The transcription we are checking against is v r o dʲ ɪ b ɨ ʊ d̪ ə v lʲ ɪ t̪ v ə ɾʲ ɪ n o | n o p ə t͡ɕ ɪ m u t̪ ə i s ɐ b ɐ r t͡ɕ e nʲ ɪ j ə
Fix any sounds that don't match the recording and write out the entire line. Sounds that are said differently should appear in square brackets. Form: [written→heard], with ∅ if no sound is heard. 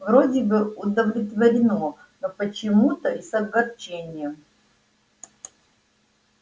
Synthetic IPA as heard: v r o dʲ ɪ b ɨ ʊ d̪ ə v lʲ ɪ t̪ v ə ɾʲ ɪ n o | n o p ə t͡ɕ ɪ m u t̪ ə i s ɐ [b→ɡ] ɐ r t͡ɕ e nʲ ɪ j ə

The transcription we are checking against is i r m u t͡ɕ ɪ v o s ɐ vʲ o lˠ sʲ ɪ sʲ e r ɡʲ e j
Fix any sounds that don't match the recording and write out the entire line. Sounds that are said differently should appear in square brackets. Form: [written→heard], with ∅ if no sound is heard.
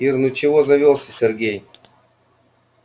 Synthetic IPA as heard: i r [m→n] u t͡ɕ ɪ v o [s→z] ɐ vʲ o lˠ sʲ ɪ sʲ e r ɡʲ e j

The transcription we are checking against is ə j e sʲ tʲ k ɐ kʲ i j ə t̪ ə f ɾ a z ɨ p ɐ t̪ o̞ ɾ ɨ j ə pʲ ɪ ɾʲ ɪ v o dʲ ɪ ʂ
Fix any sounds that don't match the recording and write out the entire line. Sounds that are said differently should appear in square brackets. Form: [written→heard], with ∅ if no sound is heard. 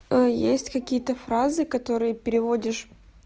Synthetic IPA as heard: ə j e sʲ tʲ k ɐ kʲ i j ə t̪ ə f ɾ a z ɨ [p→k] ɐ t̪ o̞ ɾ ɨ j ə pʲ ɪ ɾʲ ɪ v o dʲ ɪ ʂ

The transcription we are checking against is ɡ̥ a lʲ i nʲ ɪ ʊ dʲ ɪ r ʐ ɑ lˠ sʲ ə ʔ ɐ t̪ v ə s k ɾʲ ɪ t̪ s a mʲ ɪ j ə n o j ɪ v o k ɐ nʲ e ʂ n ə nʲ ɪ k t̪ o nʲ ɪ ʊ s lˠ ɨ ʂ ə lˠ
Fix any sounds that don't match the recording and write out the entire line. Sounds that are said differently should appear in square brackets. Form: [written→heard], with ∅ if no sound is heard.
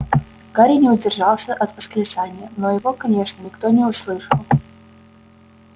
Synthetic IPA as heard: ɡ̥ a [lʲ→ɾʲ] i nʲ ɪ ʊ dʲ ɪ r ʐ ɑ lˠ sʲ ə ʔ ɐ t̪ v ə s k ɾʲ ɪ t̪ s a [mʲ→nʲ] ɪ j ə n o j ɪ v o k ɐ nʲ e ʂ n ə nʲ ɪ k t̪ o nʲ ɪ ʊ s lˠ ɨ ʂ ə lˠ

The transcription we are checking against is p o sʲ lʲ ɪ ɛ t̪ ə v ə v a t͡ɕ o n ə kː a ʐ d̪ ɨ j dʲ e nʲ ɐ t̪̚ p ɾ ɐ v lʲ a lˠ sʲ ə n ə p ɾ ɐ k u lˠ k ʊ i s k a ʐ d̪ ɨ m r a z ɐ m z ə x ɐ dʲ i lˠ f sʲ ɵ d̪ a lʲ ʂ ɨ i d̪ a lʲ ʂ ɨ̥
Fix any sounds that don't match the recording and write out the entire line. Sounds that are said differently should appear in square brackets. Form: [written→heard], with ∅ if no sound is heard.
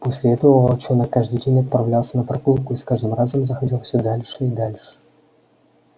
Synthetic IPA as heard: p o sʲ lʲ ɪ ɛ t̪ ə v ə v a t͡ɕ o n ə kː a ʐ d̪ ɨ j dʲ e nʲ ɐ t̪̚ p ɾ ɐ v lʲ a lˠ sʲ ə n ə p ɾ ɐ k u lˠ k ʊ i s k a ʐ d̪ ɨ m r a z [ɐ→ə] m z ə x ɐ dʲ i lˠ f sʲ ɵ d̪ a lʲ ʂ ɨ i d̪ a lʲ ʂ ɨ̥

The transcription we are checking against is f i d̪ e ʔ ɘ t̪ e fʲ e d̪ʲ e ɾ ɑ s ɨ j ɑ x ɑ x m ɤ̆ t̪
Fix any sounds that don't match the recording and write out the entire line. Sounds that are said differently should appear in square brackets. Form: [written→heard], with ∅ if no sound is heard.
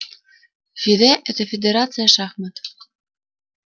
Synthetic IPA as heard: f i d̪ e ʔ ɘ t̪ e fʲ e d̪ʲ e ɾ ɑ [s→t͡s] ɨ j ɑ [x→ʃ] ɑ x m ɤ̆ t̪

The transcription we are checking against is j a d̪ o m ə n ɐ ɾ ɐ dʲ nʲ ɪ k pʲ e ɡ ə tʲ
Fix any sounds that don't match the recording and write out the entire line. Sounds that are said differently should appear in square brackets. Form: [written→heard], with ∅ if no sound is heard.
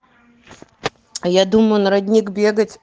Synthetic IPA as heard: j a d̪ [o→u] m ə n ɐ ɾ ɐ dʲ nʲ [ɪ→i] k [pʲ→bʲ] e ɡ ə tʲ

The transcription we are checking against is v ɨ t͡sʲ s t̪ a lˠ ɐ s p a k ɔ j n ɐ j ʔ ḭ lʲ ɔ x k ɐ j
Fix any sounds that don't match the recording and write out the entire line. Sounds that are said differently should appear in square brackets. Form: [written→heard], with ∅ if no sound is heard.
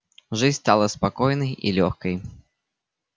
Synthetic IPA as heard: [v→ʐ] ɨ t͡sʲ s t̪ a lˠ ɐ s p a k ɔ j n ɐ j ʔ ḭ lʲ ɔ x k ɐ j

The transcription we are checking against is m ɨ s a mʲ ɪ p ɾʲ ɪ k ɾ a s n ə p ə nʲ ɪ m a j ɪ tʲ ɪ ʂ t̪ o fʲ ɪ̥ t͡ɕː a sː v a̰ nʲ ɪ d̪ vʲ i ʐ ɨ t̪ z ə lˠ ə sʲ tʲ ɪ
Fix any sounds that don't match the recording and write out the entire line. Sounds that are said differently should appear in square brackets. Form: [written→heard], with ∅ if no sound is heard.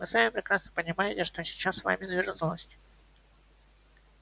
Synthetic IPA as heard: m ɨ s a mʲ ɪ p ɾʲ ɪ k ɾ a s n ə p ə nʲ ɪ m a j ɪ tʲ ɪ ʂ t̪ o [fʲ→sʲ] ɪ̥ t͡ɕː a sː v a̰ [nʲ→mʲ] ɪ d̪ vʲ i ʐ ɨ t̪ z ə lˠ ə sʲ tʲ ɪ

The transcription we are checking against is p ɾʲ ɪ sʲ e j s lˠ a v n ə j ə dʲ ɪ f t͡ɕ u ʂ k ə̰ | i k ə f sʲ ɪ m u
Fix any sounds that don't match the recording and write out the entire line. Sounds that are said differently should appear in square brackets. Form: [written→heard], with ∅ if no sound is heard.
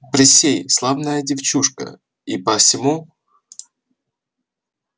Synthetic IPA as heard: p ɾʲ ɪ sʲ e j s lˠ a v n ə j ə dʲ ɪ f t͡ɕ u ʂ k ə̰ | i [k→p] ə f sʲ ɪ m u

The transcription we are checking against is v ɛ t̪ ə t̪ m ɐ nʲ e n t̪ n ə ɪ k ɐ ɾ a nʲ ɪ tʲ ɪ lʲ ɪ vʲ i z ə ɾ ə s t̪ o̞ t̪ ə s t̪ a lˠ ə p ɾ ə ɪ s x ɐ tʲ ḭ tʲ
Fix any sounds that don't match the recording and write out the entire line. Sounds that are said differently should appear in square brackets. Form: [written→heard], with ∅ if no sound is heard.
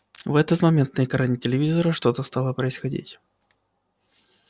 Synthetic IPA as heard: v ɛ t̪ ə t̪ m ɐ [nʲ→mʲ] e n t̪ n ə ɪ k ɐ ɾ a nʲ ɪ tʲ ɪ lʲ ɪ vʲ i z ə ɾ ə [s→ʂ] t̪ o̞ t̪ ə s t̪ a lˠ ə p ɾ ə ɪ s x ɐ [tʲ→dʲ] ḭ tʲ

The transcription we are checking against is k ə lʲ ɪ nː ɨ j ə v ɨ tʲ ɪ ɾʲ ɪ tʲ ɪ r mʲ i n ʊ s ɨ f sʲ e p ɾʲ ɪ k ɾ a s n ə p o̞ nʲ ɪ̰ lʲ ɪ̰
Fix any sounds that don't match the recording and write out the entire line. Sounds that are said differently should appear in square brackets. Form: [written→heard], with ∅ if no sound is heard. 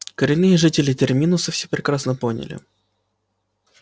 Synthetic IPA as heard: k ə [lʲ→ɾʲ] ɪ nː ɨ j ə [v→ʐ] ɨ tʲ ɪ [ɾʲ→lʲ] ɪ tʲ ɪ r mʲ i n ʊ s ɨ f sʲ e p ɾʲ ɪ k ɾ a s n ə p o̞ nʲ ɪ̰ lʲ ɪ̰

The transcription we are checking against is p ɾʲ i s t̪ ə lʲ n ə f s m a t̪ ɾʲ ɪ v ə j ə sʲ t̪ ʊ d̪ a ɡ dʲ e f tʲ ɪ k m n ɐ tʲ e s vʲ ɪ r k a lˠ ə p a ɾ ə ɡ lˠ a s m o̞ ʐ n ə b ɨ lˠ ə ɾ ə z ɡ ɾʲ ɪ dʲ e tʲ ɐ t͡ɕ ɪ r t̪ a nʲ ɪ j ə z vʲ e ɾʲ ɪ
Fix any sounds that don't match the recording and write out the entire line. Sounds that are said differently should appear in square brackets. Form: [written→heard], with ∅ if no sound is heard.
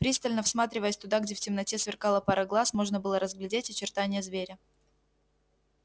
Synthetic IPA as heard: p ɾʲ i s t̪ ə lʲ n ə f s m a t̪ ɾʲ ɪ v ə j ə sʲ t̪ ʊ d̪ a ɡ dʲ e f tʲ ɪ [k→∅] m n ɐ tʲ e s vʲ ɪ r k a lˠ ə p a ɾ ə ɡ lˠ a s m o̞ ʐ n ə b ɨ lˠ ə ɾ ə z ɡ [ɾʲ→lʲ] ɪ dʲ e tʲ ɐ t͡ɕ ɪ r t̪ a nʲ ɪ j ə z vʲ e ɾʲ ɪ

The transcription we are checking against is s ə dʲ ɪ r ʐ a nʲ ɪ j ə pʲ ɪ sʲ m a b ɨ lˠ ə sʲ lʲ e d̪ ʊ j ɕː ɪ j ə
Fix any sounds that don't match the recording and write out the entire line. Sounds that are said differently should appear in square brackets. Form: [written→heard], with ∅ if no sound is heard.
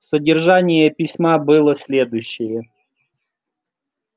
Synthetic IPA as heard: s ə dʲ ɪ r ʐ a nʲ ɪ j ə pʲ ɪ sʲ m a b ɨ lˠ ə sʲ lʲ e d̪ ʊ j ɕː ɪ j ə

